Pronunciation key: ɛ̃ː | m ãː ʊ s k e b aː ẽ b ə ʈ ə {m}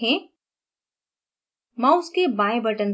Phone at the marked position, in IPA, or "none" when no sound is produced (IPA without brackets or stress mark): n